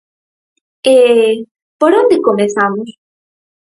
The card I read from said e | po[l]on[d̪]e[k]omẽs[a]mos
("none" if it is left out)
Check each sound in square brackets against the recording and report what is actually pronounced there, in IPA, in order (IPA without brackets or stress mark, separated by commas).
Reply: ɾ, d̪, k, a